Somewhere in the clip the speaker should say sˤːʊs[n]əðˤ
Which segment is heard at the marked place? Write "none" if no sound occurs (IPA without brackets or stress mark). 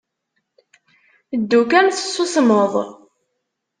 m